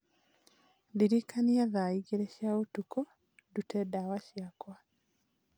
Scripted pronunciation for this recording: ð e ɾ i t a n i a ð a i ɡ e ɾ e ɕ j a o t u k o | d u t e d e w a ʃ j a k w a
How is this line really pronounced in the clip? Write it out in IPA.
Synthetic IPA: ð i ɾ i k a n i a ð a i ɡ e ɾ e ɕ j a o t u k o | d u t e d a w a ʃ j a k w a